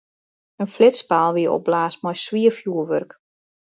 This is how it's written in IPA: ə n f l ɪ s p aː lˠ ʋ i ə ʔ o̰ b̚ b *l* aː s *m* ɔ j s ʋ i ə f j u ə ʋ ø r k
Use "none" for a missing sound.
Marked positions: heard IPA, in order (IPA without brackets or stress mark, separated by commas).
l, m